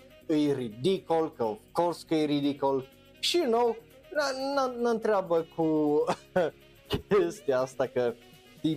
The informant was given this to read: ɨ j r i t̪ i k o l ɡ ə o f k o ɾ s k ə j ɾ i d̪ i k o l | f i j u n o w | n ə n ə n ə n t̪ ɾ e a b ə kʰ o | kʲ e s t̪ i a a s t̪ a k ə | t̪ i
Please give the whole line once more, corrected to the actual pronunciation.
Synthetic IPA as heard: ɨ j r i d̪ i k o l k ə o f k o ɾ s k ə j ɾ i d̪ i k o l | ʃ i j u n o w | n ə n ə n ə n t̪ ɾ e a b ə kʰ u | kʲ e s t̪ i a a s t̪ a k ə | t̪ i